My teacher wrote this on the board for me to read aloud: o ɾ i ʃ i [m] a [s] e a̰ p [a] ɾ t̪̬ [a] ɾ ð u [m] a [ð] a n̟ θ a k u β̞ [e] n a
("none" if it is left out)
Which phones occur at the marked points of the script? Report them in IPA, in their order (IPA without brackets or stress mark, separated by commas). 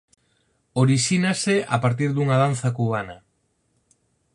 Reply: n, s, a, i, ŋ, ð, a